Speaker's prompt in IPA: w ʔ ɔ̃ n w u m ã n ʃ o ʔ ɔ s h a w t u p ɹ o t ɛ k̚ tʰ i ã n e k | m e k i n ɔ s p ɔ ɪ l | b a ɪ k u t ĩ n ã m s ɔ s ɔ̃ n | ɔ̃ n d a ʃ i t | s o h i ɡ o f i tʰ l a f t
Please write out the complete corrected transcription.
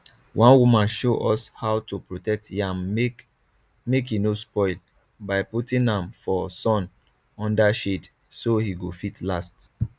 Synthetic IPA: w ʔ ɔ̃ n w u m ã n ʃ o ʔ ɔ s h a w t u p ɹ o t ɛ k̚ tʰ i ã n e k | m e k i n o s p ɔ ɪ l | b a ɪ p u t ĩ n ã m f ɔ s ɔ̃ n | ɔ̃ n d a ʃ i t | s o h i ɡ o f i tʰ l a s t